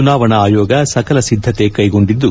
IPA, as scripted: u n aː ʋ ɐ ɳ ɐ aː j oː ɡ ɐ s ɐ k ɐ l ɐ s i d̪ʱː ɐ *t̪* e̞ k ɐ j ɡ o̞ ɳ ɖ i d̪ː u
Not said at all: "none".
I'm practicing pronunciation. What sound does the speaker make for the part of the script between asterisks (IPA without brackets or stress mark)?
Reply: t̪